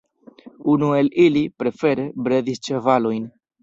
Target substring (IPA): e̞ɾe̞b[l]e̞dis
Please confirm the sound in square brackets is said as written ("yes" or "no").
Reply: no